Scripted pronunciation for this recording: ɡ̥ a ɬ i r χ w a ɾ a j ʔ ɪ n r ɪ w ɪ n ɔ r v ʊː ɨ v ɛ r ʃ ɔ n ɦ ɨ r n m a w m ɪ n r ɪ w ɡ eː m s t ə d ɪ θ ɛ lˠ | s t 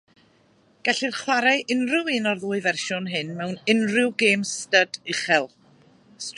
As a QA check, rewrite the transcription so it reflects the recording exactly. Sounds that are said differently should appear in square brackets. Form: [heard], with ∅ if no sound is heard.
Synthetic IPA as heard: ɡ̥ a ɬ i r χ w a ɾ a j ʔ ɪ n r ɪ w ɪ n ɔ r [ð] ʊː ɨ v ɛ r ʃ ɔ n ɦ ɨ [∅] n m [ɛ] w [n] ɪ n r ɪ w ɡ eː m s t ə d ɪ [χ] ɛ lˠ | s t